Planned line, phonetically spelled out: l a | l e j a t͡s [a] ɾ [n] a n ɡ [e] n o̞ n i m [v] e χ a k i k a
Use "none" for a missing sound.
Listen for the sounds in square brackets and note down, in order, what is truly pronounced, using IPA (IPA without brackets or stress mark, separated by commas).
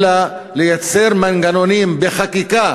e, m, a, b